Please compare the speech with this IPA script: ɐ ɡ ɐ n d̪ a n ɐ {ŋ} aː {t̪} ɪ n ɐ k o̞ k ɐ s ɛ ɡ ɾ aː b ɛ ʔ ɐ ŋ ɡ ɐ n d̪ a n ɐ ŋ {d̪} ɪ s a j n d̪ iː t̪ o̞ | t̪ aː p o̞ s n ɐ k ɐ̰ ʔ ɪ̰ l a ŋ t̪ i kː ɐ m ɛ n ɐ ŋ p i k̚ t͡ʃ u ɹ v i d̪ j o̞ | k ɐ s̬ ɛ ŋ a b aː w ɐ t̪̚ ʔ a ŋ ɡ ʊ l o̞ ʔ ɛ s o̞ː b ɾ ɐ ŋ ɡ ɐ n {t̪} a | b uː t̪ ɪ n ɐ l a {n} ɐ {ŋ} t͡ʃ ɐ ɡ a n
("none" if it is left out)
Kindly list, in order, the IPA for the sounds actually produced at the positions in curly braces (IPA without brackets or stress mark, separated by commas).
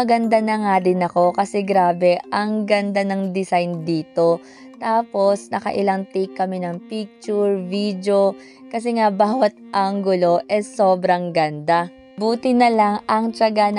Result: ŋ, d̪, d̪, d̪, ŋ, ŋ